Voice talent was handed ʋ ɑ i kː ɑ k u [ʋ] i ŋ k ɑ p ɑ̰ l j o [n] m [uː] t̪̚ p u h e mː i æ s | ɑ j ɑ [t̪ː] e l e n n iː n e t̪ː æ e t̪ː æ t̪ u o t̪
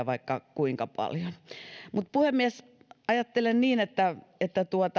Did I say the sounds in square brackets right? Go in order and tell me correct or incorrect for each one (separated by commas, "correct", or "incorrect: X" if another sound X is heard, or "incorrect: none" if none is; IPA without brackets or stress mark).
incorrect: none, correct, incorrect: u, correct